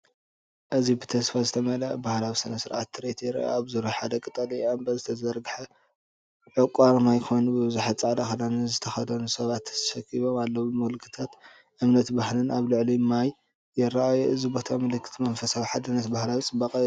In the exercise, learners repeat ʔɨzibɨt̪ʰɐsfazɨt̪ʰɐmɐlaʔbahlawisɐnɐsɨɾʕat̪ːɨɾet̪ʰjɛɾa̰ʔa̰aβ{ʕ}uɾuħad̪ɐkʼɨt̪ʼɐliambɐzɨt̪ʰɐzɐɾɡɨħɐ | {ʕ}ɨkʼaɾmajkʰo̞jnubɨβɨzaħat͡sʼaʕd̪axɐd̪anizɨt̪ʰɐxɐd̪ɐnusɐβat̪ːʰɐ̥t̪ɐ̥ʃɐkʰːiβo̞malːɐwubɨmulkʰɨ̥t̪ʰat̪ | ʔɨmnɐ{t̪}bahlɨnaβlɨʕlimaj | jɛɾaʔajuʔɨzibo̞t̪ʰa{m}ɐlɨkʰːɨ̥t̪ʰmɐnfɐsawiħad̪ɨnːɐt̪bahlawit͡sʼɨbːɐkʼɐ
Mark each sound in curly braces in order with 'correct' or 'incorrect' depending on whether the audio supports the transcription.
incorrect: z, correct, correct, correct

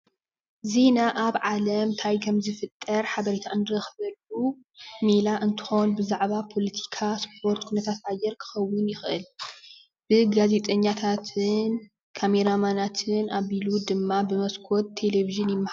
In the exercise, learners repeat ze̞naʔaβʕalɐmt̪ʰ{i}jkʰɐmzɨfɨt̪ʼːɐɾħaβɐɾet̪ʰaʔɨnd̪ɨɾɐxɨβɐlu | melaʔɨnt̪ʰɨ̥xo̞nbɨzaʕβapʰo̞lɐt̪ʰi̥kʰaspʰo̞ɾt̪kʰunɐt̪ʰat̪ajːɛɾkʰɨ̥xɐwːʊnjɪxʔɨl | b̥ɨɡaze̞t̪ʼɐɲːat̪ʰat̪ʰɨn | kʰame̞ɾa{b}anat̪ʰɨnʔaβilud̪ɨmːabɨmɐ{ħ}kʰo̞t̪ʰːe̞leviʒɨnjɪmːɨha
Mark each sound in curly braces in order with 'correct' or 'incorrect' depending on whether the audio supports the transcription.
incorrect: a, incorrect: m, incorrect: s

